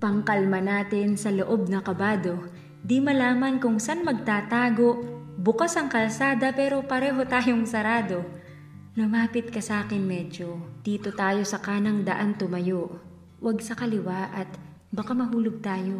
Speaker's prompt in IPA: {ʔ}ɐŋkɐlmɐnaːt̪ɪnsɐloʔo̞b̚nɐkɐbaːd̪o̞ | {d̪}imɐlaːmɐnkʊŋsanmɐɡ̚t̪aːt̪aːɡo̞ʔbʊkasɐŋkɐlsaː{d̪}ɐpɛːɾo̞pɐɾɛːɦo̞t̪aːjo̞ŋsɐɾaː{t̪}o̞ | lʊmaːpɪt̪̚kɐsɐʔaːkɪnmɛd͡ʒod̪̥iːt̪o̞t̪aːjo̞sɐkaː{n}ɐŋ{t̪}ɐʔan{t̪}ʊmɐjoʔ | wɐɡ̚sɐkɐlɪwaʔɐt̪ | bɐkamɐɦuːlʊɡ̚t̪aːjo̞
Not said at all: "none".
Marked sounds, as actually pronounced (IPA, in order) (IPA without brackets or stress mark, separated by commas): p, d̪, d̪, d̪, n, d̪, t̪